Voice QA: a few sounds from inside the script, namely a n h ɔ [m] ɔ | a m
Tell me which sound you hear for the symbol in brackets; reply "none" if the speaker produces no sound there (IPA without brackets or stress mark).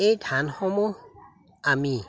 m